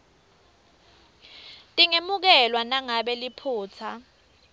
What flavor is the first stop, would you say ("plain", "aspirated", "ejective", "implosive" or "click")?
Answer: ejective